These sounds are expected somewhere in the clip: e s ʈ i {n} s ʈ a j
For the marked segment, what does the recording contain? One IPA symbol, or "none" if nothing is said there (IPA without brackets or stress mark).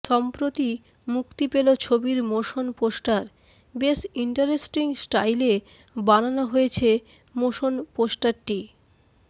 ŋ